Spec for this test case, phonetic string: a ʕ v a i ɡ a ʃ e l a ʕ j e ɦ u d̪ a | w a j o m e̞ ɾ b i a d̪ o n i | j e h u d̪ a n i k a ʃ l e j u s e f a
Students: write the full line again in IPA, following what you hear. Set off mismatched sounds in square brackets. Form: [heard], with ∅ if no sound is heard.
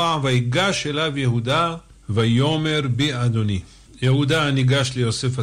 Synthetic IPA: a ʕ v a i ɡ a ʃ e l a [v] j e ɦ u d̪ a | [v] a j o m e̞ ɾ b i a d̪ o n i | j e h u d̪ a n i [ɡ] a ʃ l e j [o] s e f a